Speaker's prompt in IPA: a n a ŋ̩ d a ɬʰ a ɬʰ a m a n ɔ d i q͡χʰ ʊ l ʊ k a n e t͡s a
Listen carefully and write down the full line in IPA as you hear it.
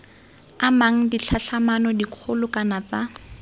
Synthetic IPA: a m a ŋ̩ d i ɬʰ a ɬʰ a m a n ɔ d i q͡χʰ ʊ l ʊ k a n a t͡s a